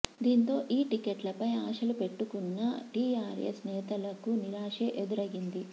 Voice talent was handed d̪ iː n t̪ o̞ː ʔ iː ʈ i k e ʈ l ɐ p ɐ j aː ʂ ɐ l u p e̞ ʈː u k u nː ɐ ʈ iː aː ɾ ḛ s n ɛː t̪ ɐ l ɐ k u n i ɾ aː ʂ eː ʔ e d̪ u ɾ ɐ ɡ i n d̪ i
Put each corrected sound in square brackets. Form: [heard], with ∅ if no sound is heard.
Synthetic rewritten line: d̪ iː n t̪ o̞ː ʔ iː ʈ i k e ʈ l ɐ p ɐ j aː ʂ ɐ l u p e̞ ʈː u k u nː ɐ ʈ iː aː ɾ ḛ s n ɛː t̪ ɐ l ɐ k u n i ɾ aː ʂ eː ʔ e d̪ u ɾ ɐ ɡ i n d̪ i